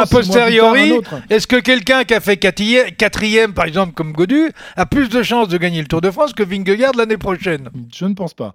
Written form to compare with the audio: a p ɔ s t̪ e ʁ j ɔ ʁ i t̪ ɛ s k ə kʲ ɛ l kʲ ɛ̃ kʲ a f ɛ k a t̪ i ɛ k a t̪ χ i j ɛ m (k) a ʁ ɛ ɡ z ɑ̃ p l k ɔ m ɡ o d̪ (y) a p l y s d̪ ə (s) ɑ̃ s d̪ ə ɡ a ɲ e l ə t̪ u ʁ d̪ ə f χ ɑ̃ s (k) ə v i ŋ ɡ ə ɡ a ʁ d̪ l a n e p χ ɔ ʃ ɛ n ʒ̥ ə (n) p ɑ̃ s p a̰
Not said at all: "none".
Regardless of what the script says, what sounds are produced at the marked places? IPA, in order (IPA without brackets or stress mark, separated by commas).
p, y, ʃ, k, n